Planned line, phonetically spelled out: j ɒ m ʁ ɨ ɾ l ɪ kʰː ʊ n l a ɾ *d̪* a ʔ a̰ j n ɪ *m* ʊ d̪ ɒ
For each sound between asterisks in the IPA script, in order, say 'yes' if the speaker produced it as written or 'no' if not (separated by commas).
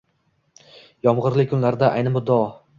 yes, yes